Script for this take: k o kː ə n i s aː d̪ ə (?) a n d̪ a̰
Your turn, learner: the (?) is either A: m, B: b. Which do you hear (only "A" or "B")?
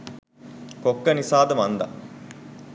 A